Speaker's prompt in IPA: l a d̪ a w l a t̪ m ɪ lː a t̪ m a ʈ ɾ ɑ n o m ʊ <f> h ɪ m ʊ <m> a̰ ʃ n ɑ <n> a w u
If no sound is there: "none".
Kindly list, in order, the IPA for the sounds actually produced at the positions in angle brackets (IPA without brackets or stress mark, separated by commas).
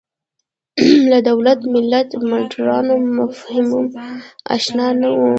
f, m, n